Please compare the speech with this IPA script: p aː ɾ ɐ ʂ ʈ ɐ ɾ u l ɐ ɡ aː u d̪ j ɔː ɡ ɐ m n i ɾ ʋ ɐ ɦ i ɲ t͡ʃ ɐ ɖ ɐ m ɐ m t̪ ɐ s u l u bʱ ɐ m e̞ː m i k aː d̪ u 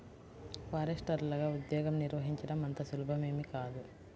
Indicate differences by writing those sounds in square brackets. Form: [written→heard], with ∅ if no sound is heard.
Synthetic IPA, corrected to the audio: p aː ɾ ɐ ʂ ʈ ɐ ɾ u l ɐ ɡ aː u d̪ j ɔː ɡ ɐ m n i ɾ ʋ ɐ ɦ i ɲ t͡ʃ ɐ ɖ ɐ m ɐ [m→n] t̪ ɐ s u l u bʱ ɐ m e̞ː m i k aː d̪ u